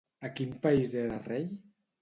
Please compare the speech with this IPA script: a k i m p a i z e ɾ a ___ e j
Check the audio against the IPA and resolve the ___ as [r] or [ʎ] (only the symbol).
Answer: r